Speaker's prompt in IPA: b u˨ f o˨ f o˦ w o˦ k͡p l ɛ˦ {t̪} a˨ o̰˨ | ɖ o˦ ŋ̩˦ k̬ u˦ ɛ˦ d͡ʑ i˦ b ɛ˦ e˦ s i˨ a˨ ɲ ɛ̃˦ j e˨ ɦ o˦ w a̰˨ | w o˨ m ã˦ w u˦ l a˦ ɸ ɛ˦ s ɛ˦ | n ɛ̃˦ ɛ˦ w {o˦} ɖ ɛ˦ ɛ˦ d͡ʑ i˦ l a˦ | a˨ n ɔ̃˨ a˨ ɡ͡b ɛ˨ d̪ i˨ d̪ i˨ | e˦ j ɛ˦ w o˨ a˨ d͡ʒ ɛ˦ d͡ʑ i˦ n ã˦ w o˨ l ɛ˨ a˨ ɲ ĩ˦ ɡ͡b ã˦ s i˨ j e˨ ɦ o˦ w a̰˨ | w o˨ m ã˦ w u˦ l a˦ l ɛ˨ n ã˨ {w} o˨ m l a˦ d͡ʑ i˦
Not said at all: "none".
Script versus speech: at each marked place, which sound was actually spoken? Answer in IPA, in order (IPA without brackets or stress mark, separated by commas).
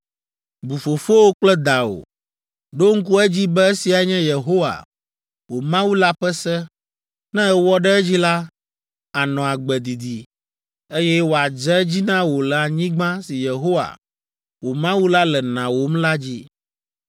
d̪, ɔ˦, w